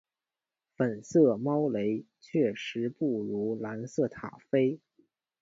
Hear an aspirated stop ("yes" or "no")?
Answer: yes